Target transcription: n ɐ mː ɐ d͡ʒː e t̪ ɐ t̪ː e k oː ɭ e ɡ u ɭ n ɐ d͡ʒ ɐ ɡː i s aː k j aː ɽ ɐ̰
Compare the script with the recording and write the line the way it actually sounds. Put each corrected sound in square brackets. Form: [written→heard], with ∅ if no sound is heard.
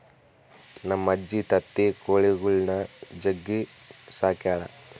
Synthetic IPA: n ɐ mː ɐ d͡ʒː [e→i] t̪ ɐ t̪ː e k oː ɭ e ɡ u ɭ n ɐ d͡ʒ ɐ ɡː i s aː k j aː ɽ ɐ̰